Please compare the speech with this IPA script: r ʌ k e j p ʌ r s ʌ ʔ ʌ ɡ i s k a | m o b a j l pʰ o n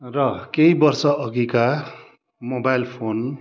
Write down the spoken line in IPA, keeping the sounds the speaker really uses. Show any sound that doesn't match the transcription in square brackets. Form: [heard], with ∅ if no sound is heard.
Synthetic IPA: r ʌ k e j [b] ʌ r s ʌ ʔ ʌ ɡ i [∅] k a | m o b a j l pʰ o n